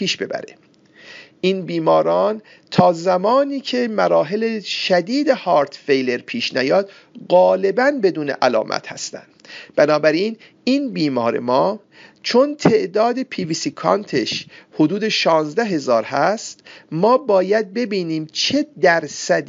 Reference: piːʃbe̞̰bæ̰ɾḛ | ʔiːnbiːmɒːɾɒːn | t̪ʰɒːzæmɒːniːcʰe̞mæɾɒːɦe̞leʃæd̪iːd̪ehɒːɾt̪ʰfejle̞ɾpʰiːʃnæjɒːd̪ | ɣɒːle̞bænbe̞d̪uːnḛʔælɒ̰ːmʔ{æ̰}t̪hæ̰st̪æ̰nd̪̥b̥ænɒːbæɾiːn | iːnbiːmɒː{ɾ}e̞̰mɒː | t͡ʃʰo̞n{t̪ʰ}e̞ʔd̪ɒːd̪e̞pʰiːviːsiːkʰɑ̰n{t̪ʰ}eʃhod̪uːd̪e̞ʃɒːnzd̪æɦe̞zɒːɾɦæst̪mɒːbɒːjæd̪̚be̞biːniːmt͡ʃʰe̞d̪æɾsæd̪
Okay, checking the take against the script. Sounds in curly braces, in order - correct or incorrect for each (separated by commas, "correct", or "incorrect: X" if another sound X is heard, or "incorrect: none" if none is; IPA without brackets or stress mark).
correct, correct, correct, correct